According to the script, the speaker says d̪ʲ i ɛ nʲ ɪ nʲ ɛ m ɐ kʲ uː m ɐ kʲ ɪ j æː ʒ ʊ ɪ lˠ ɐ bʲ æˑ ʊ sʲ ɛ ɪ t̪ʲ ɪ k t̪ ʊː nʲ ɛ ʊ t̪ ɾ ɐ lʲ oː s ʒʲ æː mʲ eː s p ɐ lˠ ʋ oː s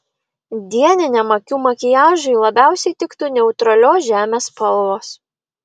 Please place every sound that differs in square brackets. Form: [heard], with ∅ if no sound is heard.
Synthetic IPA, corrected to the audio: d̪ʲ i ɛ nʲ ɪ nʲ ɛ m ɐ kʲ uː m ɐ kʲ ɪ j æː ʒ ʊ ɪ lˠ ɐ bʲ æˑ ʊ sʲ ɛ ɪ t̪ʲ ɪ k t̪ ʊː nʲ ɛ ʊ t̪ ɾ ɐ lʲ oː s ʒʲ æː mʲ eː s p ɐ lˠ ʋ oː s